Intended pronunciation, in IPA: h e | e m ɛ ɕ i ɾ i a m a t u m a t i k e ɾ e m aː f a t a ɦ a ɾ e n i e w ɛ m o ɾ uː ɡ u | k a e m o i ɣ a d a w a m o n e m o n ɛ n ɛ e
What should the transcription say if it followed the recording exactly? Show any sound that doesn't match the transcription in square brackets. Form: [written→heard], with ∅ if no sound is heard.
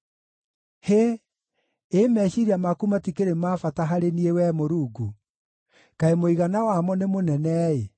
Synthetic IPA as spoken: h e | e m ɛ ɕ i ɾ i a m a [t→k] u m a t i k e ɾ e m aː f a t a ɦ a ɾ e n i e w ɛ m o ɾ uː ɡ u | k a e m o i ɣ a [d→n] a w a m [o→ɔ] n e m o n ɛ n ɛ e